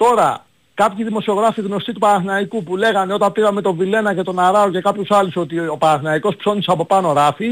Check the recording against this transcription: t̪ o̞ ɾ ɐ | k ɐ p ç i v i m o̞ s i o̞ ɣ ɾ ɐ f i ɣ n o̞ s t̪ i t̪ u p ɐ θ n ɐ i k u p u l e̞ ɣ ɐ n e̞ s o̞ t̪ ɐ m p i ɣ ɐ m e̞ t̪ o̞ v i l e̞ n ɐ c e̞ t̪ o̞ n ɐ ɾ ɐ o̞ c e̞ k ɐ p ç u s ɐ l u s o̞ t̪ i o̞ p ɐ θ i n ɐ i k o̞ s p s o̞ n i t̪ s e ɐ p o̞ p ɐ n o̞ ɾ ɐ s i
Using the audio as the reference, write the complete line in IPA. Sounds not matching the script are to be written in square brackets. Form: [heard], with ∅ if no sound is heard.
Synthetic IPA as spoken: t̪ o̞ ɾ ɐ | k ɐ p ç i [ð] i m o̞ s i o̞ ɣ ɾ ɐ f i ɣ n o̞ s t̪ i t̪ u p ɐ θ n ɐ i k u p u l e̞ ɣ ɐ n e̞ [∅] o̞ t̪ ɐ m p i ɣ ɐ m e̞ t̪ o̞ v i l e̞ n ɐ c e̞ t̪ o̞ n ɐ ɾ ɐ o̞ c e̞ k ɐ p ç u s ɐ l u s o̞ t̪ i o̞ p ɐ θ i n ɐ i k o̞ s p s o̞ n i [∅] s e ɐ p o̞ p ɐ n o̞ ɾ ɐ [f] i